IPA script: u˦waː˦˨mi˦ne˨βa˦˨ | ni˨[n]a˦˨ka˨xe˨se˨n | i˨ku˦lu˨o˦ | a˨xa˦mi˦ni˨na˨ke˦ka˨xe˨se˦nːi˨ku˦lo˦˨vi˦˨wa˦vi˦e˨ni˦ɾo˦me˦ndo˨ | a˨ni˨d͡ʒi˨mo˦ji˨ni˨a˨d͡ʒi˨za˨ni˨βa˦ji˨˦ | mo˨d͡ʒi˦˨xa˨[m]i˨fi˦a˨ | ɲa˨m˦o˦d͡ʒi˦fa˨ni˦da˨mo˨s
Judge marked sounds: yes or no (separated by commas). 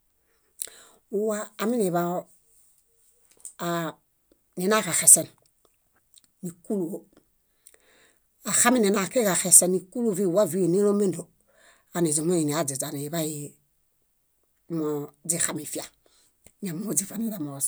yes, yes